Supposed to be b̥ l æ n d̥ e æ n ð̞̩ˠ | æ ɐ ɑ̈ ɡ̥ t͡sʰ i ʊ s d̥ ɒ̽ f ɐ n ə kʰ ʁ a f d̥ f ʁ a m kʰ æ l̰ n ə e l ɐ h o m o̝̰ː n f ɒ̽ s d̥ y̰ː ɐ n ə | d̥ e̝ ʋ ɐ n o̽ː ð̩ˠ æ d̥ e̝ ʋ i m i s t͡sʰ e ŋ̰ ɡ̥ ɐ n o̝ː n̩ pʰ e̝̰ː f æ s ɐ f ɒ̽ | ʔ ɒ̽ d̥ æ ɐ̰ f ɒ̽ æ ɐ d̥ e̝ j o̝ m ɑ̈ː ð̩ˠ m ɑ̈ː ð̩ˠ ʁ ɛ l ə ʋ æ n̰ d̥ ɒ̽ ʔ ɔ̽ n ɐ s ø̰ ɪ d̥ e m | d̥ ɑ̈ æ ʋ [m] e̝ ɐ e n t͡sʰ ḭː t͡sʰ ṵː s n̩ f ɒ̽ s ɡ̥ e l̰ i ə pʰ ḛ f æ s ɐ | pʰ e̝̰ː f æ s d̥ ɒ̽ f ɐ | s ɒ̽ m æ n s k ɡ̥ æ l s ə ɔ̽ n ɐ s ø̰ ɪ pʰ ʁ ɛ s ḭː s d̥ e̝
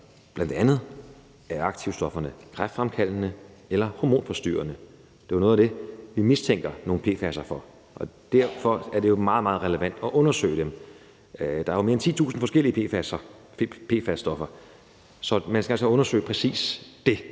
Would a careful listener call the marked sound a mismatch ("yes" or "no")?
no